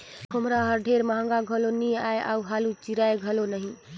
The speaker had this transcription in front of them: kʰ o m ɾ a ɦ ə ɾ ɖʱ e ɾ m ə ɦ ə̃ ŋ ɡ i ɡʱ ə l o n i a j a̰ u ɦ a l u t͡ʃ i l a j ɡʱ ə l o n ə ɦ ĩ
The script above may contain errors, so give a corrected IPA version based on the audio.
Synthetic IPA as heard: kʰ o m ɾ a ɦ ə ɾ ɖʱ e ɾ m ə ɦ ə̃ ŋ ɡ a ɡʱ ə l o n i a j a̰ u ɦ a l u t͡ʃ i ɾ a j ɡʱ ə l o n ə ɦ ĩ